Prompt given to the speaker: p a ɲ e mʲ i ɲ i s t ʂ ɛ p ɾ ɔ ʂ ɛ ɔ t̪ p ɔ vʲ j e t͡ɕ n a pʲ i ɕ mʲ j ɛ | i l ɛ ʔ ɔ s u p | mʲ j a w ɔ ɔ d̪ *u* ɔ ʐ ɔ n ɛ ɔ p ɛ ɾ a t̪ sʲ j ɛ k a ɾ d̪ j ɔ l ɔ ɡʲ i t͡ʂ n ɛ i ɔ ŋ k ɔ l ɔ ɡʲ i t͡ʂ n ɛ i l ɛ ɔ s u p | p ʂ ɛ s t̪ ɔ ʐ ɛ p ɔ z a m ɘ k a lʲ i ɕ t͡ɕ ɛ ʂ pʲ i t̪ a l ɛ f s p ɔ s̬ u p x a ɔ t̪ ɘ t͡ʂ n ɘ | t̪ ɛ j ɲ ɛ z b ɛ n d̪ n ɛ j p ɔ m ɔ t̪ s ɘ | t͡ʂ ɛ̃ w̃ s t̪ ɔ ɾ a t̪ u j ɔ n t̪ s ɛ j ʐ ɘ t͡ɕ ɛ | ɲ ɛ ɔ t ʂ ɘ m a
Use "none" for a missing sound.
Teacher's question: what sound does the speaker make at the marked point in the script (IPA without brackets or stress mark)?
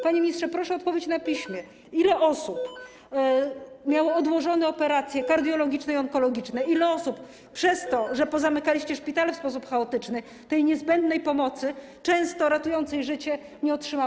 w